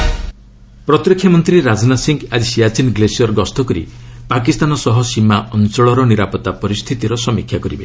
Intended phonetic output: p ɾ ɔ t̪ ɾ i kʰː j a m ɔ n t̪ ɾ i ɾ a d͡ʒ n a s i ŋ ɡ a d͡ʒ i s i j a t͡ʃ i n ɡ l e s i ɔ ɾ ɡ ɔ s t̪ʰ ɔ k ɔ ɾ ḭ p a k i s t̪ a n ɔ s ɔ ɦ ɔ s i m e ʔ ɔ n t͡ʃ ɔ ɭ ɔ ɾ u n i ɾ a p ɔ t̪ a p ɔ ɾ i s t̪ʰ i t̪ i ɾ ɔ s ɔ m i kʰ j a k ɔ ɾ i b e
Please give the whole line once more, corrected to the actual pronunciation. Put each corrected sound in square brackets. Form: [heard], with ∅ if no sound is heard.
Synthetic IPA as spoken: p ɾ ɔ t̪ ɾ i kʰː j a m ɔ n t̪ ɾ i ɾ a d͡ʒ n a s i ŋ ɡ a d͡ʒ i s i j a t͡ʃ i n ɡ l e s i ɔ ɾ ɡ ɔ s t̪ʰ ɔ k ɔ ɾ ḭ p a k i s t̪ a n ɔ s ɔ ɦ ɔ s i m [a] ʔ ɔ n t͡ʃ ɔ ɭ ɔ ɾ [ɔ] n i ɾ a p ɔ t̪ a p ɔ ɾ i s t̪ʰ i t̪ i ɾ ɔ s ɔ m i kʰ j a k ɔ ɾ i b e

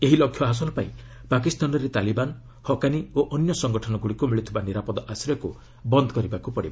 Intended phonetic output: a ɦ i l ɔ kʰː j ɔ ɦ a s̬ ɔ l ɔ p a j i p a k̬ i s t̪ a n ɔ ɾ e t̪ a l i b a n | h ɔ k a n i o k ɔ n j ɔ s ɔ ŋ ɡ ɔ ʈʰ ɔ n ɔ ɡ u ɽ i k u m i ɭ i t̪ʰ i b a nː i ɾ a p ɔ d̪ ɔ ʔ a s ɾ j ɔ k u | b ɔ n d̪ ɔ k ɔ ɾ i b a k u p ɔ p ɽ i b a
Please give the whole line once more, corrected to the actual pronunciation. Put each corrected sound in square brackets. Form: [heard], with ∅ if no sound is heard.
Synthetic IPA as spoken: [e] ɦ i l ɔ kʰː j ɔ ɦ a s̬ ɔ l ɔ p a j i p a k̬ i s t̪ a n ɔ ɾ e t̪ a l i b a n | h ɔ k a n i o [ʔ] ɔ n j ɔ s ɔ ŋ ɡ ɔ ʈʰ ɔ n ɔ ɡ u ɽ i k u m i ɭ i t̪ʰ i b a [n] i ɾ a p ɔ d̪ ɔ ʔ a s ɾ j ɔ k u | b ɔ n d̪ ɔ k ɔ ɾ i b a k u p ɔ [∅] ɽ i b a

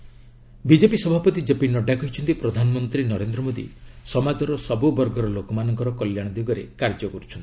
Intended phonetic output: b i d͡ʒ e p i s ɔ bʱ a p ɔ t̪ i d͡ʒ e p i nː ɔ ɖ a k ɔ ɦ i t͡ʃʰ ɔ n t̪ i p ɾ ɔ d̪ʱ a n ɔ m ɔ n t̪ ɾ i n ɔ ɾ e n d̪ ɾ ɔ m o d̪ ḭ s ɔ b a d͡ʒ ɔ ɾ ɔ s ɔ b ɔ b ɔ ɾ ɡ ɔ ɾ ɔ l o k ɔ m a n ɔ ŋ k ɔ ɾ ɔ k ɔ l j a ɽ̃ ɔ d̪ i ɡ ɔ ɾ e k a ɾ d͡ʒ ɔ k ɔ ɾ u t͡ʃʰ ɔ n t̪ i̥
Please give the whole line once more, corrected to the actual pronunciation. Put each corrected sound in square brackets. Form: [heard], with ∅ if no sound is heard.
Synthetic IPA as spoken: b i d͡ʒ e p i s ɔ bʱ a p ɔ t̪ i d͡ʒ e p i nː ɔ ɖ a k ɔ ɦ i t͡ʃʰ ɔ n t̪ i p ɾ ɔ d̪ʱ a n ɔ m ɔ n t̪ ɾ i n ɔ ɾ e n d̪ ɾ ɔ m o d̪ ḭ s ɔ [m] a d͡ʒ ɔ ɾ ɔ s ɔ b [u] b ɔ ɾ ɡ ɔ ɾ ɔ l o k ɔ m a n ɔ ŋ k ɔ ɾ ɔ k ɔ l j a ɽ̃ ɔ d̪ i ɡ ɔ ɾ e k a ɾ d͡ʒ ɔ k ɔ ɾ u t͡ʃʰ ɔ n t̪ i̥

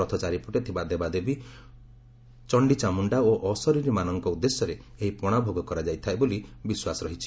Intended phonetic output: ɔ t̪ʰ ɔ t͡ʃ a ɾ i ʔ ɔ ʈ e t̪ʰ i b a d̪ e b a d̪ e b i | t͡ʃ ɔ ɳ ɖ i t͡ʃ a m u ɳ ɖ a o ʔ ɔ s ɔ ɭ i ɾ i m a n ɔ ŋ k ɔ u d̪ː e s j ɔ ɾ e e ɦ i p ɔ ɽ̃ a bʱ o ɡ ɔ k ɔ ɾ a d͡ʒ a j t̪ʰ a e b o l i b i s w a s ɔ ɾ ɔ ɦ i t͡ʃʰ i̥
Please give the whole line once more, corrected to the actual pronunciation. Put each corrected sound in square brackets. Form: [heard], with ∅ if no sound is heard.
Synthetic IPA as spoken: ɔ t̪ʰ ɔ t͡ʃ a ɾ i [p] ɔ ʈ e t̪ʰ i b a d̪ e b a d̪ e b i | t͡ʃ ɔ ɳ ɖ i t͡ʃ a m u ɳ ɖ a o ʔ ɔ s ɔ [ɾ] i ɾ i m a n ɔ ŋ k ɔ u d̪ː e s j ɔ ɾ e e ɦ i p ɔ ɽ̃ a bʱ o ɡ ɔ k ɔ ɾ a d͡ʒ a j t̪ʰ a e b o l i b i s w a s ɔ ɾ ɔ ɦ i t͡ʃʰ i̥

